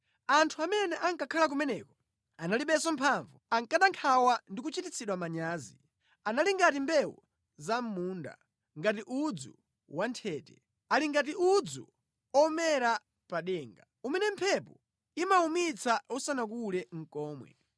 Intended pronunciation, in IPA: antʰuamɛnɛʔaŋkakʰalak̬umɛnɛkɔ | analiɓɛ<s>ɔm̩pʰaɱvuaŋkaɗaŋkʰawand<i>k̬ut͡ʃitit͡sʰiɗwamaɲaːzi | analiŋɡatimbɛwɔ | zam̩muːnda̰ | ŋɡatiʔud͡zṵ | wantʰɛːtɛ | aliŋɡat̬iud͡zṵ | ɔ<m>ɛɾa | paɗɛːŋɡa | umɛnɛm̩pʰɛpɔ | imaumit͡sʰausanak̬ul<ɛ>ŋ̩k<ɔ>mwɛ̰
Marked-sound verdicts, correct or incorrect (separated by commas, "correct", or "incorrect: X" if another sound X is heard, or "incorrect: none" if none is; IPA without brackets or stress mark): correct, correct, correct, correct, incorrect: ɔː